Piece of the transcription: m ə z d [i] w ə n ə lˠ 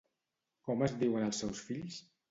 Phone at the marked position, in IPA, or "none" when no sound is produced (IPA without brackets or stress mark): i